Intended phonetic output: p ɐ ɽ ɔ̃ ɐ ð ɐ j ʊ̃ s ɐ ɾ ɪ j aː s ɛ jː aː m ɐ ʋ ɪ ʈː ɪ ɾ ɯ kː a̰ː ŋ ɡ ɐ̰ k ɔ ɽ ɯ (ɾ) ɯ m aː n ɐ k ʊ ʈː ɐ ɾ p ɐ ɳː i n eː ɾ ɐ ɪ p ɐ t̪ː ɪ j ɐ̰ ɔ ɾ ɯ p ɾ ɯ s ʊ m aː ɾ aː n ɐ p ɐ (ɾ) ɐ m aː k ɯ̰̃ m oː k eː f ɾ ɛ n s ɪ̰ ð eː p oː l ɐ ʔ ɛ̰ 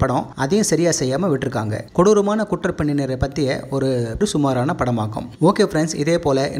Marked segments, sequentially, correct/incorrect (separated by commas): correct, incorrect